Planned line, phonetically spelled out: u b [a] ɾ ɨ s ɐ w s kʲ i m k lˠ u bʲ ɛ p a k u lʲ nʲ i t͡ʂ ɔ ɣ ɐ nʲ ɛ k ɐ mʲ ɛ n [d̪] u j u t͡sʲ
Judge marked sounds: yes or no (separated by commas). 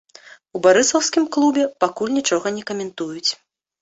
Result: yes, no